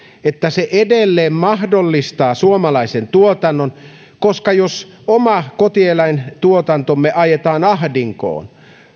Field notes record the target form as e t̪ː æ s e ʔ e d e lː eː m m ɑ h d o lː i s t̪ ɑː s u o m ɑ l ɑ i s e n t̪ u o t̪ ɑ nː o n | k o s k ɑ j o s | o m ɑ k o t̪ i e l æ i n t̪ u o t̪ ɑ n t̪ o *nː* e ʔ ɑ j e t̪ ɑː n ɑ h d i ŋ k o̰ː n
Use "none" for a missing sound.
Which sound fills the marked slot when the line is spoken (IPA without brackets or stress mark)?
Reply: mː